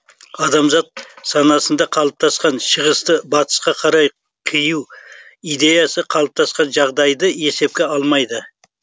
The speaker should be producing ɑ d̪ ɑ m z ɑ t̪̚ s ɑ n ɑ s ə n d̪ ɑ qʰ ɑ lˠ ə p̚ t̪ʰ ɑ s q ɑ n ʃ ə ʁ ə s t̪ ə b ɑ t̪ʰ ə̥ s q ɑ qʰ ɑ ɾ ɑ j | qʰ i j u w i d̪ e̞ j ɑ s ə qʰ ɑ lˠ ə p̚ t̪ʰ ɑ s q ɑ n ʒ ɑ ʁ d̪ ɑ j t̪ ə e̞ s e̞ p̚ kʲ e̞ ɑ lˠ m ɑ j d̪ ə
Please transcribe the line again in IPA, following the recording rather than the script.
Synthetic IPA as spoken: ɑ d̪ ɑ m z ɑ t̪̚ s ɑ n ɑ s ə n d̪ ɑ qʰ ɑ lˠ ə p̚ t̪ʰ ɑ s q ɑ n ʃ ə ʁ ə s t̪ ə b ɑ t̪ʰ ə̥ s q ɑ qʰ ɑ ɾ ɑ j | qʰ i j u w i d̪ e̞ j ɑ s ə qʰ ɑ lˠ ə p̚ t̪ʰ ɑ s q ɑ n ʒ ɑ ʁ d̪ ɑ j d̪ ə e̞ s e̞ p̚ kʲ e̞ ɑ lˠ m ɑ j d̪ ə